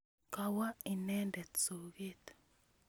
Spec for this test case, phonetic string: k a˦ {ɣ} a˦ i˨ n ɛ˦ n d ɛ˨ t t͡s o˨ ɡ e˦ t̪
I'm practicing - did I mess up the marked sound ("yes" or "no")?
yes